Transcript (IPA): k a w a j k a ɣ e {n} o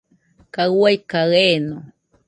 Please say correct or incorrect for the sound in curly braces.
correct